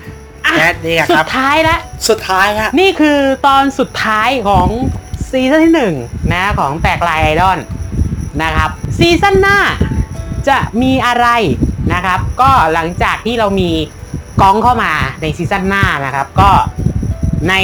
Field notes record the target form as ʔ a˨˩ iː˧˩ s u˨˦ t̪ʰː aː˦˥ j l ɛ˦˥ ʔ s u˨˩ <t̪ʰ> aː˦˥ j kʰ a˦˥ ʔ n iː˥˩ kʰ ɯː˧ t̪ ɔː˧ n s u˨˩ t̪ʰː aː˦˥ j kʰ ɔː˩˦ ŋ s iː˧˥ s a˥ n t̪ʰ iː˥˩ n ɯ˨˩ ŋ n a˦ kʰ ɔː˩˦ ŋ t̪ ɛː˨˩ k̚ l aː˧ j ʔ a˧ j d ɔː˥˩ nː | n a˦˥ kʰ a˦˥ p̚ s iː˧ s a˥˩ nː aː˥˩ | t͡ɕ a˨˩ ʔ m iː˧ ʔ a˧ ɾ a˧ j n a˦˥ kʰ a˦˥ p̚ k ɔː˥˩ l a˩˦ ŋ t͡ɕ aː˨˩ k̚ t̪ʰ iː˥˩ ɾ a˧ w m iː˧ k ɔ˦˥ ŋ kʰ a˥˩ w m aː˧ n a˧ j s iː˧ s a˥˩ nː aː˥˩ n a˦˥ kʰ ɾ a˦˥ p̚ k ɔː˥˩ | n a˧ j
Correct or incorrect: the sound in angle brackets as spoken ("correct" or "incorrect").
correct